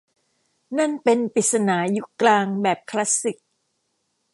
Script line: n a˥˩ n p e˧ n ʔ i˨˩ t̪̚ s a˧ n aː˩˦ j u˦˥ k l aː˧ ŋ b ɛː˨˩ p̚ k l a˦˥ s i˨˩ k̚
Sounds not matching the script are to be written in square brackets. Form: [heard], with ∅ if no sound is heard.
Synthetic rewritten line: n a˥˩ n p e˧ n [p] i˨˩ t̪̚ s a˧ n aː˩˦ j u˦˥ k l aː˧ ŋ b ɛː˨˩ p̚ [kʰ] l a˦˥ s i˨˩ k̚